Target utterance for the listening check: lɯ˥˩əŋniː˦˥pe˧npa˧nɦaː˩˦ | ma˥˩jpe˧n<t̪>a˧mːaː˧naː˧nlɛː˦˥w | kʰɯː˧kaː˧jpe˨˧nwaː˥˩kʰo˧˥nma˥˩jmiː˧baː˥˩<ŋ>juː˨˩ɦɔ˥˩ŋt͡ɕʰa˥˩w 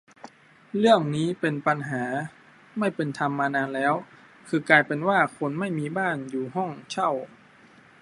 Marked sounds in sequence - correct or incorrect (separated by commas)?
incorrect, incorrect